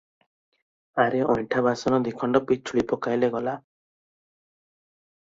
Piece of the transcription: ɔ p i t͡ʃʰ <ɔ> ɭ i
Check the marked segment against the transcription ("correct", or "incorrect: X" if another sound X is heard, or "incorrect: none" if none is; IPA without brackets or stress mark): incorrect: u